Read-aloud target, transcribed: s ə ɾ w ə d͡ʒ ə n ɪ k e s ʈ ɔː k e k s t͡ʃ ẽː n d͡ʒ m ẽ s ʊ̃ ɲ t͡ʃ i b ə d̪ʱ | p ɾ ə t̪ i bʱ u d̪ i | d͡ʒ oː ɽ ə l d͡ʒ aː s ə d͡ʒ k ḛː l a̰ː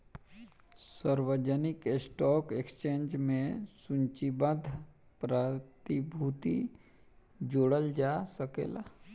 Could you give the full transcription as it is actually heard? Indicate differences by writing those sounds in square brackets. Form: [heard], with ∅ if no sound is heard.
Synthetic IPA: s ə ɾ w ə d͡ʒ ə n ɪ k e s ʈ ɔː k e k s t͡ʃ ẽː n d͡ʒ m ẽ s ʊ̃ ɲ t͡ʃ i b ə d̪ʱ | p ɾ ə t̪ i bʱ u [t̪] i | d͡ʒ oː ɽ ə l d͡ʒ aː s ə [∅] k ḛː l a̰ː